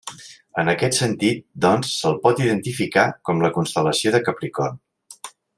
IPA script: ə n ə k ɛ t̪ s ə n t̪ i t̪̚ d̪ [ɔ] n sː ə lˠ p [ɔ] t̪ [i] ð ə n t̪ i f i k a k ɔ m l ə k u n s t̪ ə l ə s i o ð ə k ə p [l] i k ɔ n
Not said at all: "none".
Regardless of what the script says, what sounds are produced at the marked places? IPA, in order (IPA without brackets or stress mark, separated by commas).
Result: ɔ, ɔ, i, ɾ